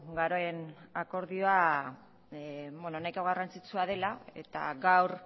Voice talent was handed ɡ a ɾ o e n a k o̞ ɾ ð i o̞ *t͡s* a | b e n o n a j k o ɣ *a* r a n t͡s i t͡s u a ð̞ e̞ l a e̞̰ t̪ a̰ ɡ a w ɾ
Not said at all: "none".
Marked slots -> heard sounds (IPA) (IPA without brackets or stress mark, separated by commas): none, a